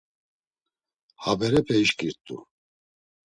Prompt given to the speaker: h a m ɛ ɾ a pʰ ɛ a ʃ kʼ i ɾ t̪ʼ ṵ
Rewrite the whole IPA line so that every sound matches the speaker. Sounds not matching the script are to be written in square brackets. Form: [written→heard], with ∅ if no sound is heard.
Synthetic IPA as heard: h a [m→b] ɛ ɾ [a→ɛ] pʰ ɛ [a→i] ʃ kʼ i ɾ t̪ʼ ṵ